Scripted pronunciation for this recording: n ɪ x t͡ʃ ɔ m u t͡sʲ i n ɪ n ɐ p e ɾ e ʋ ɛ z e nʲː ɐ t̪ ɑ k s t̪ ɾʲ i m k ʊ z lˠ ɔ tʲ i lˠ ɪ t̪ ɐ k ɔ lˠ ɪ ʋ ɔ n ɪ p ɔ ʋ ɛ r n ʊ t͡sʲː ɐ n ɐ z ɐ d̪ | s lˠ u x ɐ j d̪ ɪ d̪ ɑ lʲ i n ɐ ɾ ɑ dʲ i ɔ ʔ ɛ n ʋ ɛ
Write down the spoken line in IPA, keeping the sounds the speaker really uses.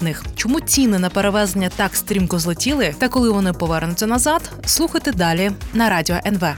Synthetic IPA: n ɪ x t͡ʃ ɔ m u t͡sʲ i n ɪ n ɐ p e ɾ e ʋ ɛ z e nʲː ɐ t̪ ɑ k s t̪ ɾʲ i m k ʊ z lˠ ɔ tʲ i lˠ ɪ t̪ ɐ k ɔ lˠ ɪ ʋ ɔ n ɪ p ɔ ʋ ɛ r n ʊ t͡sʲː ɐ n ɐ z ɑ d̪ | s lˠ u x ɐ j t̪ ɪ d̪ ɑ lʲ i n ɐ ɾ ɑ dʲ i ɔ ʔ ɛ n ʋ ɛ